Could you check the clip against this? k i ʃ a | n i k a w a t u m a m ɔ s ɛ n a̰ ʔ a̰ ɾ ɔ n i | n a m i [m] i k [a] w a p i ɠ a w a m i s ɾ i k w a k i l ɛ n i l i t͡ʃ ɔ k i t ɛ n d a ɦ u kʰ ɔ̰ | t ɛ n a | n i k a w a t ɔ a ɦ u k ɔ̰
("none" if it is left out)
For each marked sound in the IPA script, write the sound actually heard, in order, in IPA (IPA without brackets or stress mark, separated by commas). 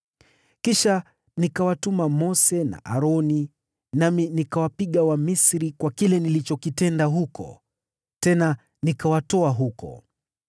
n, a